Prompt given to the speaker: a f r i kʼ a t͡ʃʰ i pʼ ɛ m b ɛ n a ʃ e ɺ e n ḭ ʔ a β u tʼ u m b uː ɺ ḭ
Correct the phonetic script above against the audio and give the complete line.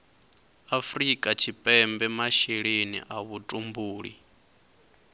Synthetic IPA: a f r i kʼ a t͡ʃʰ i pʼ ɛ m b ɛ m a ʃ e ɺ e n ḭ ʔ a β u tʼ u m b uː ɺ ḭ